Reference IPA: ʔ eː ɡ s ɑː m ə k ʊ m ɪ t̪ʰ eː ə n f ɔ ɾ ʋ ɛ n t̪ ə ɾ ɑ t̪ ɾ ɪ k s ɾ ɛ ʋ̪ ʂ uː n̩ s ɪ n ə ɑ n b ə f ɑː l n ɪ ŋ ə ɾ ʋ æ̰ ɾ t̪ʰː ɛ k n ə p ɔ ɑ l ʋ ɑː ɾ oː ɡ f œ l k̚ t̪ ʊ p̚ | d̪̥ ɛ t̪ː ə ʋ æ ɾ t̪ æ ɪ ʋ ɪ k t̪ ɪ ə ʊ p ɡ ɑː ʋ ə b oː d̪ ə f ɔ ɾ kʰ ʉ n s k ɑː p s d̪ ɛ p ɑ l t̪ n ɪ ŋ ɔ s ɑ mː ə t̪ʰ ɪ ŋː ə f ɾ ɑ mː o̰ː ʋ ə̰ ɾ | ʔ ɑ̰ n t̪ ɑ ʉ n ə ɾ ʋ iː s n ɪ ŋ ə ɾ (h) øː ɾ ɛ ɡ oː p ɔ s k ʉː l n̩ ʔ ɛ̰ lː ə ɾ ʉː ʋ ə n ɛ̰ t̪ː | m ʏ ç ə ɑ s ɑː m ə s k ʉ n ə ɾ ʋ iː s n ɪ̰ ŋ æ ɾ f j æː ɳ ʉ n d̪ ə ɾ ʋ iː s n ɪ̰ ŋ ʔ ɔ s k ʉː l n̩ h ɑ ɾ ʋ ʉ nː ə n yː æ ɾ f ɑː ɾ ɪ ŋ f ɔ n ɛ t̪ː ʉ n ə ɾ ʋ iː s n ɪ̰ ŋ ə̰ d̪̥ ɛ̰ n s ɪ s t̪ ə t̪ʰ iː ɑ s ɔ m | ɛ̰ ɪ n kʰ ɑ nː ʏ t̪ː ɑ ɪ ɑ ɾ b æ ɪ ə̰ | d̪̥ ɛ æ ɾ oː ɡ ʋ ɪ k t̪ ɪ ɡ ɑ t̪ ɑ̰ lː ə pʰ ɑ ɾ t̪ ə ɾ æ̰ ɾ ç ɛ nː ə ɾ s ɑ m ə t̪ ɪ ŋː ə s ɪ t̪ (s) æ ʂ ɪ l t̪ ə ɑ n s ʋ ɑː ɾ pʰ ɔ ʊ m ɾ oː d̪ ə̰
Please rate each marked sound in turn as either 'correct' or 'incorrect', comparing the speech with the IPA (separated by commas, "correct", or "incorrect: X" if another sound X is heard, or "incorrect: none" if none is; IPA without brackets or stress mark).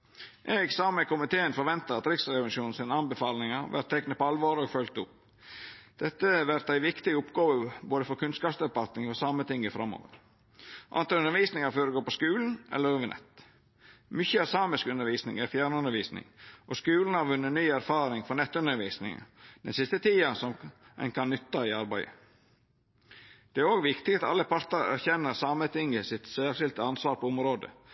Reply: incorrect: f, correct